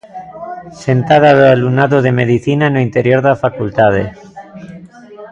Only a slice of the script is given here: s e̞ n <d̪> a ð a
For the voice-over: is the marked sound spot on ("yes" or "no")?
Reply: no